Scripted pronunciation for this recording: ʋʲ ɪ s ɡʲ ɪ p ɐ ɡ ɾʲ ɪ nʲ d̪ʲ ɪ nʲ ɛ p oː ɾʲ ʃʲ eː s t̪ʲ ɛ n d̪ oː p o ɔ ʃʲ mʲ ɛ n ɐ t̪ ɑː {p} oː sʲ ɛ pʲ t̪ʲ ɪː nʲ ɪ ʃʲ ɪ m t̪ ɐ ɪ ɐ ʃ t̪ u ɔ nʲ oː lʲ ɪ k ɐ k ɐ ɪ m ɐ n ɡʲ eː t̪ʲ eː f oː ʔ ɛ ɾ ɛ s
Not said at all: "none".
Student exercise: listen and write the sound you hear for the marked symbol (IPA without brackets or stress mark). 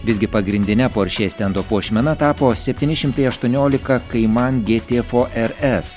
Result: p